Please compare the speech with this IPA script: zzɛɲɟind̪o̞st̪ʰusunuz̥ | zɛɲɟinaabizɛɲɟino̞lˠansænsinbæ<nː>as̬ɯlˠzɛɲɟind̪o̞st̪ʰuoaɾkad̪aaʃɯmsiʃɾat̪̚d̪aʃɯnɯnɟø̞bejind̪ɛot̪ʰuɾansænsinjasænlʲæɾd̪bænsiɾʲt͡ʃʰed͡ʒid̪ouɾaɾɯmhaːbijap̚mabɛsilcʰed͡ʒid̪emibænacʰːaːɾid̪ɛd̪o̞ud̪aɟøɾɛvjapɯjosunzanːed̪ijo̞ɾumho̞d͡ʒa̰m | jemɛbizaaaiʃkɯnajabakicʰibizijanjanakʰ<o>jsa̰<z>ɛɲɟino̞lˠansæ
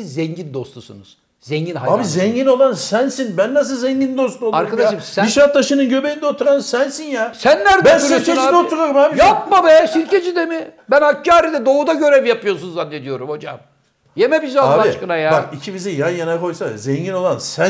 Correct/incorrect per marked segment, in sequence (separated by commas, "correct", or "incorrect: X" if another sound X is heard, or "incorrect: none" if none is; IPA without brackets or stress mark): correct, correct, correct